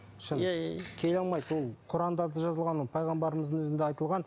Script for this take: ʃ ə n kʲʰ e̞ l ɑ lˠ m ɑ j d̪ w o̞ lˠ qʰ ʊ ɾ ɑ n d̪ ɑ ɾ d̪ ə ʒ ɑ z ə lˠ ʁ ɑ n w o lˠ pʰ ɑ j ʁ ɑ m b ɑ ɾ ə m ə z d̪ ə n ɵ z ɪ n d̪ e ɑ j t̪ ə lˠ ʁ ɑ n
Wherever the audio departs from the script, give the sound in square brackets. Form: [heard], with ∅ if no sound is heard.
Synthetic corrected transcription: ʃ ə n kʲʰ e̞ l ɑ lˠ m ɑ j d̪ w o̞ lˠ qʰ ʊ ɾ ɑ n d̪ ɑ ɾ d̪ ə ʒ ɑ z ə lˠ ʁ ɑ n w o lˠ pʰ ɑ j ʁ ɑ m b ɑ ɾ ə m ə z d̪ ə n ɵ z ɪ n d̪ e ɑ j t̪ ə lˠ ʁ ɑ n